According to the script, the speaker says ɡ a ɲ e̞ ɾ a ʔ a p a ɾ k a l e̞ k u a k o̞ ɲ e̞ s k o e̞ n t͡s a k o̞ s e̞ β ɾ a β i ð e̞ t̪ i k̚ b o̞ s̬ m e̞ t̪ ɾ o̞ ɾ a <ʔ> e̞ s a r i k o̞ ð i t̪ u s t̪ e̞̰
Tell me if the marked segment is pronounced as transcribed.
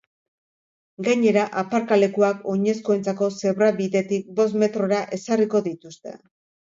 yes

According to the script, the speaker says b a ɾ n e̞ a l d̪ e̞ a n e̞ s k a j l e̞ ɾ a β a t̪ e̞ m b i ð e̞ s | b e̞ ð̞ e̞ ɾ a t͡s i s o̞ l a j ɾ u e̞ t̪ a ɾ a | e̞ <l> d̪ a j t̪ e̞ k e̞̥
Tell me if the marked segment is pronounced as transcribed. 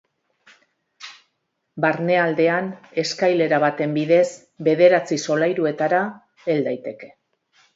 yes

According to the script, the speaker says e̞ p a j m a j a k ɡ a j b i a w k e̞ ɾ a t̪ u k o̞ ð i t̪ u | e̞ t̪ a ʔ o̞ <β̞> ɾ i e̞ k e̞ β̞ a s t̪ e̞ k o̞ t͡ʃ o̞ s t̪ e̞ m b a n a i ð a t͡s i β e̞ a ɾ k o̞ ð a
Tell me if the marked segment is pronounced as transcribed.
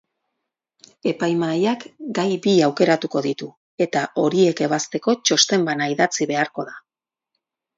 no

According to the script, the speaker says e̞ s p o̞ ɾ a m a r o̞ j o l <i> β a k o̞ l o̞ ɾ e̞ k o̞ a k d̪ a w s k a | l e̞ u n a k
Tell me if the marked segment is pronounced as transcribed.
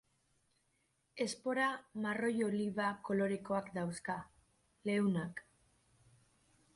yes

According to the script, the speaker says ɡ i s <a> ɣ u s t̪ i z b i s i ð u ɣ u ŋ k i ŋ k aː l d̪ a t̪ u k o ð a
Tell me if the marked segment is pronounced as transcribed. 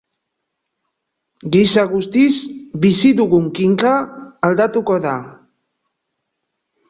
yes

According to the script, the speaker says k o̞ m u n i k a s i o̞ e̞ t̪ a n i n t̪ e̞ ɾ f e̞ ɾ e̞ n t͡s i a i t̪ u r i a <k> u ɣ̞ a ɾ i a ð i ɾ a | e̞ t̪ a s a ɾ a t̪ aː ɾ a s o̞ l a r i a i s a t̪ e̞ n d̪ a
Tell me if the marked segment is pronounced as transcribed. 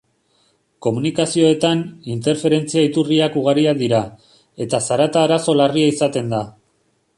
yes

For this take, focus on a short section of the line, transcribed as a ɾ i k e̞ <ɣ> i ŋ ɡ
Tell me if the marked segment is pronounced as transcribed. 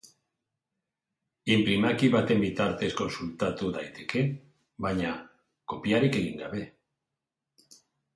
yes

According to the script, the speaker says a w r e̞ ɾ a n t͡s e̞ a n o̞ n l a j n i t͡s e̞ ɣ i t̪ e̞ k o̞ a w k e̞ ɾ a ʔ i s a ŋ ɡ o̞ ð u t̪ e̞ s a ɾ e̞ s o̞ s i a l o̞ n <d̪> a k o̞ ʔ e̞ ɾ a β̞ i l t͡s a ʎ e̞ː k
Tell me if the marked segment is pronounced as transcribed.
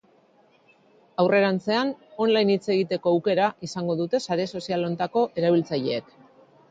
no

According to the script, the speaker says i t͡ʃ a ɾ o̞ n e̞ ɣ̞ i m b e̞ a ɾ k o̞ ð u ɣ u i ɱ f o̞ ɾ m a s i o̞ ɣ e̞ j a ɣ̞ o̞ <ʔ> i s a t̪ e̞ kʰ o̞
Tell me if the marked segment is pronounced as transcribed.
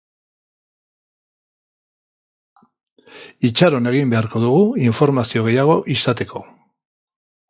yes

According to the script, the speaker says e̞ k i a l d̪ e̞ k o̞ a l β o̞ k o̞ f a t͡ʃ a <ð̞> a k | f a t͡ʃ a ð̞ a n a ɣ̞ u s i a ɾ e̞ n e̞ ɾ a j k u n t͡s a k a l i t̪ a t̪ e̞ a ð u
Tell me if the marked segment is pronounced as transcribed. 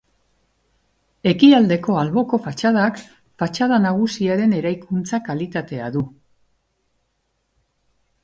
yes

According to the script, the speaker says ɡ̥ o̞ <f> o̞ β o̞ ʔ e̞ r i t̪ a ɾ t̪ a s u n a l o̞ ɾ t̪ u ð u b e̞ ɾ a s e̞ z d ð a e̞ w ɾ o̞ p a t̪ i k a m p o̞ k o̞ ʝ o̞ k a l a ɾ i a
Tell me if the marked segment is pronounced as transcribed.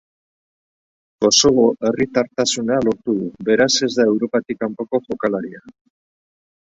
no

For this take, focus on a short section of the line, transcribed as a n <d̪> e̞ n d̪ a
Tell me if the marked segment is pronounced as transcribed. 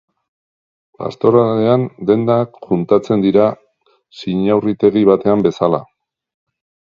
yes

